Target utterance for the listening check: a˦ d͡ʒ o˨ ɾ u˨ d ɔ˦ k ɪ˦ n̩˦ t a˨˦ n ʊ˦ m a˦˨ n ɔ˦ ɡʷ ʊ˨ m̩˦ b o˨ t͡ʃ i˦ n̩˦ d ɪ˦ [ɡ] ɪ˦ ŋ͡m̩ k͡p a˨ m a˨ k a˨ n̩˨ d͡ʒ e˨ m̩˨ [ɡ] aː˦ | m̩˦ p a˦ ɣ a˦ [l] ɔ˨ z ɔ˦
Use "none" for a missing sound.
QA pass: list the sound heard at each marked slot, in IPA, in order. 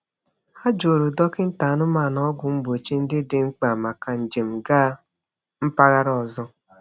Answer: d, ɡ, ɾ

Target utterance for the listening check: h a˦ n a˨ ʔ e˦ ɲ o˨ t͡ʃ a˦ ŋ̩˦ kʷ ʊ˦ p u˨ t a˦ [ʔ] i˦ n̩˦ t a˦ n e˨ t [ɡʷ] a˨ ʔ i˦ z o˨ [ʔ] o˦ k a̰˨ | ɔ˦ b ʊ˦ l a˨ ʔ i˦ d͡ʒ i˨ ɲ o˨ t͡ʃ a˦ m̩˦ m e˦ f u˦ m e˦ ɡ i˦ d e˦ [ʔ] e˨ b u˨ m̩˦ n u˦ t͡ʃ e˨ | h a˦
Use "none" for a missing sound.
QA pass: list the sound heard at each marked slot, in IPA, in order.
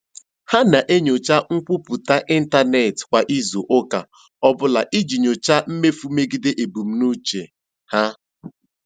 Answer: ʔ, kʷ, ʔ, ʔ

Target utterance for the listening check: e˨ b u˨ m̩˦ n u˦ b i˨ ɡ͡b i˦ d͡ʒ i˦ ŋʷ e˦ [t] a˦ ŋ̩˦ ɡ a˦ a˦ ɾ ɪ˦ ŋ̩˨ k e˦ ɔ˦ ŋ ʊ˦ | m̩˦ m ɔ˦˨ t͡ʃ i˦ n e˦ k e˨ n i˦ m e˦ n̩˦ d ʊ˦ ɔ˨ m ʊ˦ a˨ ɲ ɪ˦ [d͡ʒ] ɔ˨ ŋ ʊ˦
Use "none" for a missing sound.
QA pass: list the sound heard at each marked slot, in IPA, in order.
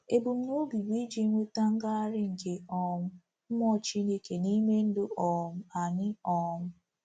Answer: t, none

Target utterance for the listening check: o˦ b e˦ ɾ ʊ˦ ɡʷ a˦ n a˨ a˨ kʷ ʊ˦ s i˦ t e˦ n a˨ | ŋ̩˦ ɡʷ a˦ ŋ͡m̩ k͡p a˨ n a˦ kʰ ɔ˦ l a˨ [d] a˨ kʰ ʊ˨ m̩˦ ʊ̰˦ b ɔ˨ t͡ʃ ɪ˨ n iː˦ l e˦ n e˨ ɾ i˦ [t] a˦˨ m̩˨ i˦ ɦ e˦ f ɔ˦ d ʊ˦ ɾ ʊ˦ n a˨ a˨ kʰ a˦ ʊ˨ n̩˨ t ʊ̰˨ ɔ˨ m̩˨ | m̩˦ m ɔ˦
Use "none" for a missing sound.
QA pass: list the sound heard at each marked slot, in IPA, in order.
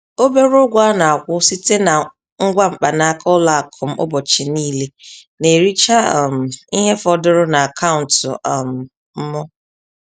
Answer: none, t͡ʃ

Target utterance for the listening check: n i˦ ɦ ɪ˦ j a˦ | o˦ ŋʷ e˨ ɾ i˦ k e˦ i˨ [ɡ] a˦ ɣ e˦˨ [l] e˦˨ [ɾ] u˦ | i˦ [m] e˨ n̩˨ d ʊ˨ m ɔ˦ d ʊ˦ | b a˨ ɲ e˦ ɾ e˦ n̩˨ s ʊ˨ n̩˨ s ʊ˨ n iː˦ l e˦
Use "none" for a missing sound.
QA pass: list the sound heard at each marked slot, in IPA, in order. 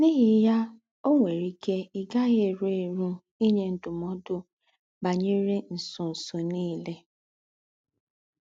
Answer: ɡ, ɾ, ɾ, ɲ

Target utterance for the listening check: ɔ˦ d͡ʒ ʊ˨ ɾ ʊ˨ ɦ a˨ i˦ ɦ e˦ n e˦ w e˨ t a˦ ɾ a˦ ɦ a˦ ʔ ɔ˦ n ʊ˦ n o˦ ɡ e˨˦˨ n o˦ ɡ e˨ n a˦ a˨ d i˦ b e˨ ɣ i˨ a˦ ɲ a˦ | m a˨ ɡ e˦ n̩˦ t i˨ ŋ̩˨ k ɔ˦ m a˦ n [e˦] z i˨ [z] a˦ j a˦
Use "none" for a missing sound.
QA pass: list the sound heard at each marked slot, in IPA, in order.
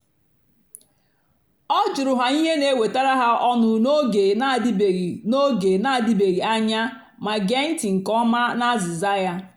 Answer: a˦, z

